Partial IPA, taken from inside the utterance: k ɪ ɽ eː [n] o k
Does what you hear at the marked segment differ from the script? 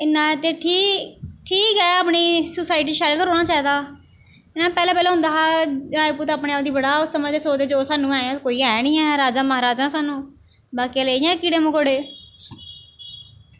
yes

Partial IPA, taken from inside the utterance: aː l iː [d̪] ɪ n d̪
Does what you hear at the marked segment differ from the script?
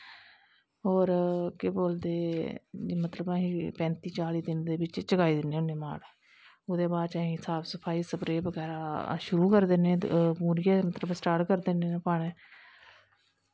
no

